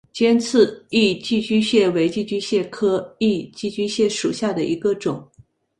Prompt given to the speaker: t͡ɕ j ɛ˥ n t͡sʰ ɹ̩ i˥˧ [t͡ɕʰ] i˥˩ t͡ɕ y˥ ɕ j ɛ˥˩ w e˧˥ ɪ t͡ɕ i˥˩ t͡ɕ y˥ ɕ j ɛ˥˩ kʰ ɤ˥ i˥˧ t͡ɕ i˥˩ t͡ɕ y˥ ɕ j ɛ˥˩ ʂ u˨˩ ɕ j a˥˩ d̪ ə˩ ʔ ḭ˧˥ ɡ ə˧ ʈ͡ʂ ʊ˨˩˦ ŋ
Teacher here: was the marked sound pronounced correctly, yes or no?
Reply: no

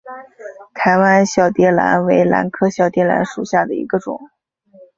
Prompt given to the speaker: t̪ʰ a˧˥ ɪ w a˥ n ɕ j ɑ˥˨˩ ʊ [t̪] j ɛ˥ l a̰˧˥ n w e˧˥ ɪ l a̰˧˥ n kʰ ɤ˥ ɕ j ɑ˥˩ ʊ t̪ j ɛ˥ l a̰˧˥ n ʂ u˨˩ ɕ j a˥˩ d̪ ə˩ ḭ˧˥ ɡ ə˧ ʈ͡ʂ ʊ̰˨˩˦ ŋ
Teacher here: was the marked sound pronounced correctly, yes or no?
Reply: yes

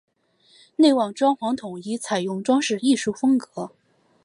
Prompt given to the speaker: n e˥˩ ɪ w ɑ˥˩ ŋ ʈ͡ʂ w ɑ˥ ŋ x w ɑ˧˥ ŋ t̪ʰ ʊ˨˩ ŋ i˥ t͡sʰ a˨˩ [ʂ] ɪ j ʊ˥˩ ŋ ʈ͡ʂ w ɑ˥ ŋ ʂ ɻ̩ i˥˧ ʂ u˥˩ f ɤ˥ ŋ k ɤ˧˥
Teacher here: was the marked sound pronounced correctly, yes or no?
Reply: no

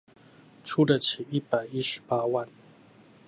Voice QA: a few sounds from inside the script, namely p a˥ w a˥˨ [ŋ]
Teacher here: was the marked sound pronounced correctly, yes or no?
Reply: no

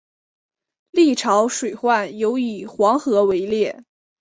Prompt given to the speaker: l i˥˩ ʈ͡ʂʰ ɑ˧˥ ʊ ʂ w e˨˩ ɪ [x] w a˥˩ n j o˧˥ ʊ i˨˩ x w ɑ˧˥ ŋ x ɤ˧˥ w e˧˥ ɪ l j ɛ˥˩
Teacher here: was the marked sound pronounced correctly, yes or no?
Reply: yes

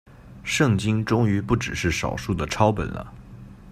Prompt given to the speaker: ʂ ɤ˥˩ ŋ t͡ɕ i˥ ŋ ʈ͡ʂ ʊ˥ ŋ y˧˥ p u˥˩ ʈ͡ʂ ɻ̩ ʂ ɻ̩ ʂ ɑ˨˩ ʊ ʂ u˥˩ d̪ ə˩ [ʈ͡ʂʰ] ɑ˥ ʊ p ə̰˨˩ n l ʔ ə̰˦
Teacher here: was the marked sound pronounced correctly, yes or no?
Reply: yes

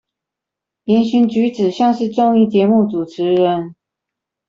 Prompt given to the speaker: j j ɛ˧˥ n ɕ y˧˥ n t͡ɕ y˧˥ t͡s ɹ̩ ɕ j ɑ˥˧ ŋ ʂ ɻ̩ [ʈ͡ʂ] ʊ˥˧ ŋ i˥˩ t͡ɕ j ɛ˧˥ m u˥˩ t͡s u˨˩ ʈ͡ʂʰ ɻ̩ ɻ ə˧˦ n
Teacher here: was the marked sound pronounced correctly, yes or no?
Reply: yes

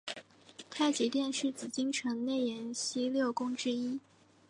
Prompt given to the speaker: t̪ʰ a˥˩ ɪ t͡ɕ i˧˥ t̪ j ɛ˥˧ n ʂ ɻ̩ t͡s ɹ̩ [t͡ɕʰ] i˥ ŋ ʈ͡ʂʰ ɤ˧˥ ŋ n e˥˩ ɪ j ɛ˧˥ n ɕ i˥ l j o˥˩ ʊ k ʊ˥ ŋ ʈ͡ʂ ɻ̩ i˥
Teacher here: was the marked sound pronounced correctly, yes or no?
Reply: no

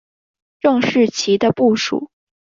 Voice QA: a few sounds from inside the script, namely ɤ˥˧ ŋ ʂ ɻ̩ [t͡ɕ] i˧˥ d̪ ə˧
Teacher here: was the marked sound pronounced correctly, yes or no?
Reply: no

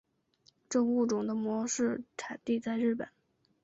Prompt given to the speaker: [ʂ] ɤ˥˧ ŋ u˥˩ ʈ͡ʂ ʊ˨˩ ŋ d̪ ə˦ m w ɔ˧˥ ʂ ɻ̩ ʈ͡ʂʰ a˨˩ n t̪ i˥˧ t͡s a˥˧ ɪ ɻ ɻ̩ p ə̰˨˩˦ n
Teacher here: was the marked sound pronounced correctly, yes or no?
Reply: no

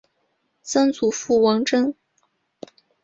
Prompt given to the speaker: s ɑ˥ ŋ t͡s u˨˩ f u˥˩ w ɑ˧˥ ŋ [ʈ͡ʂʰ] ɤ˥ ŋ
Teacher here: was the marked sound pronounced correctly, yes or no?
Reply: no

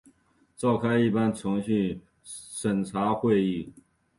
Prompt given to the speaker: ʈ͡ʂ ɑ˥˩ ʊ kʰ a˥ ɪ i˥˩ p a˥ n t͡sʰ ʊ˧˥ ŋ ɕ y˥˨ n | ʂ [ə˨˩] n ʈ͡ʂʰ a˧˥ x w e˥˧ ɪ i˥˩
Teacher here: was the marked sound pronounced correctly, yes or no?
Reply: yes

